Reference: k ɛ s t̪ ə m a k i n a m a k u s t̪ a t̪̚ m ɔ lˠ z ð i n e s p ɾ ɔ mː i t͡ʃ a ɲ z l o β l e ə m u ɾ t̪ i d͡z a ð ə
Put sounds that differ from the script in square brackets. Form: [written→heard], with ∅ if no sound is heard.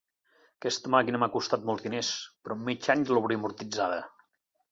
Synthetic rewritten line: k ɛ s t̪ ə m a k i n [a→ə] m a k u s t̪ a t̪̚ m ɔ lˠ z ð i n e s p ɾ ɔ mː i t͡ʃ a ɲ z l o β [l→ɾ] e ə m u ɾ t̪ i d͡z a ð ə